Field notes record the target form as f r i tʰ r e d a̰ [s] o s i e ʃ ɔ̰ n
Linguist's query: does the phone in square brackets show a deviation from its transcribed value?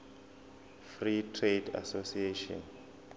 no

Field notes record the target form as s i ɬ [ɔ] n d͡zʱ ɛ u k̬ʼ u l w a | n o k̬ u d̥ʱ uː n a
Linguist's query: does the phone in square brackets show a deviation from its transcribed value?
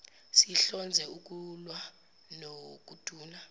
no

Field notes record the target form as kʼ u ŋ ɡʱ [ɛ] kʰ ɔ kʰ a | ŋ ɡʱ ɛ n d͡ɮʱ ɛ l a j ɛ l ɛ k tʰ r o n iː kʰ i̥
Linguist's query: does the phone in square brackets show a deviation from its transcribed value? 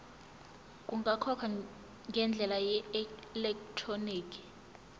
yes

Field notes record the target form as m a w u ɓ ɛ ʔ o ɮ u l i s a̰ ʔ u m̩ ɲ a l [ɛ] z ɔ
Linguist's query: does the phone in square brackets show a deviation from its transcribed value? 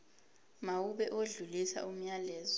yes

